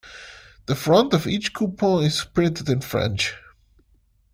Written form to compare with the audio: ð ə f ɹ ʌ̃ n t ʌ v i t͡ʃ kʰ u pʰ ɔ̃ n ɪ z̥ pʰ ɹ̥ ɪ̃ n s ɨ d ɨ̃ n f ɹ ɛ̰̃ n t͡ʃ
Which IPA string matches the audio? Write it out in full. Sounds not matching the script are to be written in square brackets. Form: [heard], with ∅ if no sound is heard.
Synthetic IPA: ð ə f ɹ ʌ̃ n t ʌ v i t͡ʃ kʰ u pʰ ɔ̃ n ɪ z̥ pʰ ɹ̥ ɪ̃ n [t] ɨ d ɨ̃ n f ɹ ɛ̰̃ n t͡ʃ

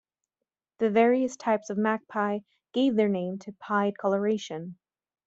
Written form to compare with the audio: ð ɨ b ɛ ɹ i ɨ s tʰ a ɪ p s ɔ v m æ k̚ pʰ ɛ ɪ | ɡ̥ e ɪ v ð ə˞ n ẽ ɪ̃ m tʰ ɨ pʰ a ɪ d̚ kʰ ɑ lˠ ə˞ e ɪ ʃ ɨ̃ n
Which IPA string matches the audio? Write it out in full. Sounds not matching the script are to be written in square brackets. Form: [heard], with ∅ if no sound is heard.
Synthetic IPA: ð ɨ [v] ɛ ɹ i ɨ s tʰ a ɪ p s [ʌ] v m æ k̚ pʰ [a] ɪ | ɡ̥ e ɪ v ð ə˞ n ẽ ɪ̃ m tʰ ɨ pʰ a ɪ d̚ kʰ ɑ lˠ ə˞ e ɪ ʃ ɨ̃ n

